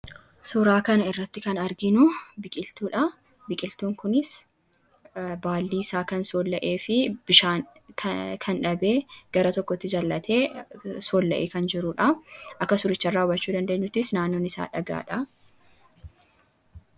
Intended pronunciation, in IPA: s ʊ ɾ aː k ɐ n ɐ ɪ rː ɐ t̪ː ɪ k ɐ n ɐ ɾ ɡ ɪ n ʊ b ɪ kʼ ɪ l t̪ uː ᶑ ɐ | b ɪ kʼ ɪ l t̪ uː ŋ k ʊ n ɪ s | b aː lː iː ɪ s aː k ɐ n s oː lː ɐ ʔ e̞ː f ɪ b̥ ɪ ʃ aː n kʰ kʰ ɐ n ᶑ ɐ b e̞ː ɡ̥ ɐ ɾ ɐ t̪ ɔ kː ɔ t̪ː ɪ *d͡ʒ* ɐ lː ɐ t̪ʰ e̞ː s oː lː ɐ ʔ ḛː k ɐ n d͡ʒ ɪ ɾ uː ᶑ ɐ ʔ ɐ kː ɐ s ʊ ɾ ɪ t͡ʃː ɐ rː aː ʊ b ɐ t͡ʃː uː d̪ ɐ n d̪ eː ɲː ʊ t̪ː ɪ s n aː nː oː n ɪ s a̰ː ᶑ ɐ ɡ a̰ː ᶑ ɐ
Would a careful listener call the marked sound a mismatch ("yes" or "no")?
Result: no